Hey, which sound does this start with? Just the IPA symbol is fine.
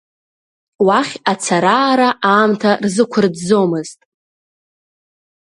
w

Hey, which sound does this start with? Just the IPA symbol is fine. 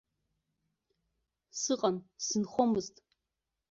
s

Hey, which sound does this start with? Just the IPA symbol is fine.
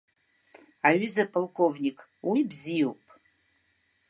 a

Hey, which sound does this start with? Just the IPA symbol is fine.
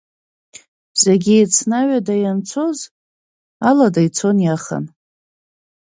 z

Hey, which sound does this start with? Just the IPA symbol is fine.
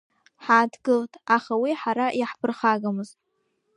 ħ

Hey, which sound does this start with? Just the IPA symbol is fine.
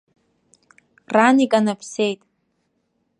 r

